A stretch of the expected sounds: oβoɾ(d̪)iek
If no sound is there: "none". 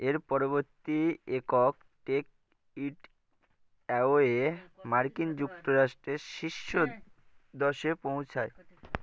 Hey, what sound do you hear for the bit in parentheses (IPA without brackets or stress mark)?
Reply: t̪